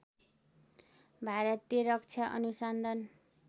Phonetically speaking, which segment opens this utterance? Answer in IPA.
bʱ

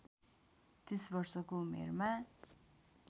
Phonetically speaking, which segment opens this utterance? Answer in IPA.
t̪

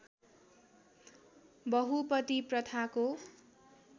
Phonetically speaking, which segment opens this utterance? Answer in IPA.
b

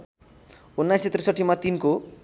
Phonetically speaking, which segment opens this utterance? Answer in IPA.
u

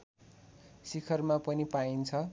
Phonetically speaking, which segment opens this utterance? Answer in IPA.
s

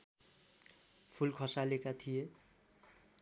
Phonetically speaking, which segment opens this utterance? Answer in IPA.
pʰ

